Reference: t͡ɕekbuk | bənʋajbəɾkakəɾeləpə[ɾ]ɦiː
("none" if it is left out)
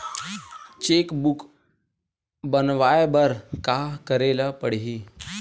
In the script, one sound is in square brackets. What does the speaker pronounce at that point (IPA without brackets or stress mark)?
ɽ